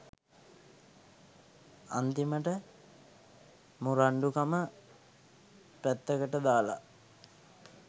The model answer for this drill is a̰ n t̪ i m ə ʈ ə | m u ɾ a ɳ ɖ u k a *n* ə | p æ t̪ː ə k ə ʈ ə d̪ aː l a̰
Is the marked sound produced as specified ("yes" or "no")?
no